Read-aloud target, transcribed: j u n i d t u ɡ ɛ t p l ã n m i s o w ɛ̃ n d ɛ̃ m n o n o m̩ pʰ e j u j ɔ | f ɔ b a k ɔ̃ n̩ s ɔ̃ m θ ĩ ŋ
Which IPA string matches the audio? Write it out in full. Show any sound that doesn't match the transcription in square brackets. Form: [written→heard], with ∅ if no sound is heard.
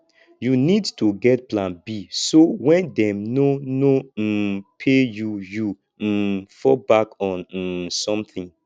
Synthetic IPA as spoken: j u n i d t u ɡ ɛ t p l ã n [m→b] i s o w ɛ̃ n d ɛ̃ m n o n o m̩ pʰ e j u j [ɔ→u] | f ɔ b a k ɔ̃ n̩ s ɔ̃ m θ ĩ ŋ